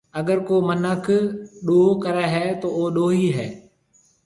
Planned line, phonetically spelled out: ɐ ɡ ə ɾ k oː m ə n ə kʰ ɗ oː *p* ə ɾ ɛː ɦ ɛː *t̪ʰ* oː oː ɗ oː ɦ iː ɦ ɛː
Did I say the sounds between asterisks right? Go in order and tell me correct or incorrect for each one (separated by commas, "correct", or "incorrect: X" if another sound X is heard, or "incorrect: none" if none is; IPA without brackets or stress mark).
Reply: incorrect: k, incorrect: t̪